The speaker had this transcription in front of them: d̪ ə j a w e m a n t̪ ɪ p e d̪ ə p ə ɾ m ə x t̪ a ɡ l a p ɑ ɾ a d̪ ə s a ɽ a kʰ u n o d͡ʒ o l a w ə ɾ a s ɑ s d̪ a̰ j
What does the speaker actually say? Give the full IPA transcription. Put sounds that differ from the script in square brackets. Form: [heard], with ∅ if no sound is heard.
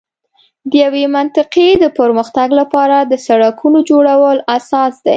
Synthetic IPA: d̪ ə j a w e m a n t̪ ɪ [q] e d̪ ə p ə ɾ m ə x t̪ a ɡ l a p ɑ ɾ a d̪ ə s a ɽ a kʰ u n o d͡ʒ o [ɽ] a w ə [l] a s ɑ s d̪ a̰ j